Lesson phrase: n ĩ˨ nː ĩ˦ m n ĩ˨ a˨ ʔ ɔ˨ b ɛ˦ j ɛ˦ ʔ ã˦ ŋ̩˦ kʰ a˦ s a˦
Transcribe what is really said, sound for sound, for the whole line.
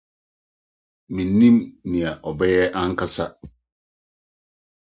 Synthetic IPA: m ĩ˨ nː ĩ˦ m n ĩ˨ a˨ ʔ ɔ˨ b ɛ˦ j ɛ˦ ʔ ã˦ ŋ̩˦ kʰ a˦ s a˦